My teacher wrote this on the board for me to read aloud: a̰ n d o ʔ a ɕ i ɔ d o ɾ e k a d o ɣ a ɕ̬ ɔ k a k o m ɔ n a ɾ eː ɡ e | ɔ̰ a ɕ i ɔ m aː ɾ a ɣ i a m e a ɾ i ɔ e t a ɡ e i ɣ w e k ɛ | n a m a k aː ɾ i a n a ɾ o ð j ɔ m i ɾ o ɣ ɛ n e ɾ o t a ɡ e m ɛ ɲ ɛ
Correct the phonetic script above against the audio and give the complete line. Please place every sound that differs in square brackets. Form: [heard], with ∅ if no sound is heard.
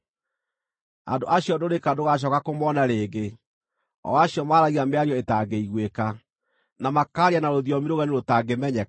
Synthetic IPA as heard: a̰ n d o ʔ a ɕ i ɔ d o ɾ e k a d o ɣ a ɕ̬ ɔ k a k o m ɔ n a ɾ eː ɡ e | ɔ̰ a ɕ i ɔ m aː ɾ a ɣ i a m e a ɾ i ɔ e t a ɡ e i ɣ w e k [a] | n a m a k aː ɾ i a n a ɾ o ð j ɔ m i ɾ o ɣ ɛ n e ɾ o t a ɡ e m ɛ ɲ ɛ